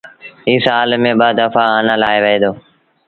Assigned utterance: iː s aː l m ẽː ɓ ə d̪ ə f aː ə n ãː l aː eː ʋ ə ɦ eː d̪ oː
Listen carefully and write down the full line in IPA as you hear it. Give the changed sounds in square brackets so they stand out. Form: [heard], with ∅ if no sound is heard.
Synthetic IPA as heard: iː s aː l m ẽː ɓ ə d̪ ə f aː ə n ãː l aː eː ʋ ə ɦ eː d̪ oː